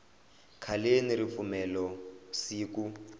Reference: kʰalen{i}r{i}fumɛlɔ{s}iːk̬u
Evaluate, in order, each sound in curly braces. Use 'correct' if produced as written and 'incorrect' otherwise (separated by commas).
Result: correct, correct, correct